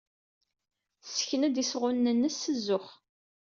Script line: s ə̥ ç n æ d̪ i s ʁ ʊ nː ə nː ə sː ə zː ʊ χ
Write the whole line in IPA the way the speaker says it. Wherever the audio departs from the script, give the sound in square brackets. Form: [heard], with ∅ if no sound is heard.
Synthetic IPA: s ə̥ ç n æ d̪ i s ʁ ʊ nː ə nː ə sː ə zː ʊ χ